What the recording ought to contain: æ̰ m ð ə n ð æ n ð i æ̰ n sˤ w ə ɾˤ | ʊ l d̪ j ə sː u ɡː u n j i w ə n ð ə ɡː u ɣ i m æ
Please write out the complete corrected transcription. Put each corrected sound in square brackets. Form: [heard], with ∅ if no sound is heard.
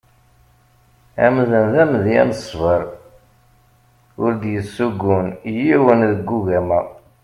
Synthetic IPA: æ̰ m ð ə n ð æ [m] ð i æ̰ n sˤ [v] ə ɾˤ | ʊ [ɾ] d̪ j ə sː u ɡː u n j i w ə n ð ə ɡː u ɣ [æ] m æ